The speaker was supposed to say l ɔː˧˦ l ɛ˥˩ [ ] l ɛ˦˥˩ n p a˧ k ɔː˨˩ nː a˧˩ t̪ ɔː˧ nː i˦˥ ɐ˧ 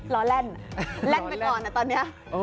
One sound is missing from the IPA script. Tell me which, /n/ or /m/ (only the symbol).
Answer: n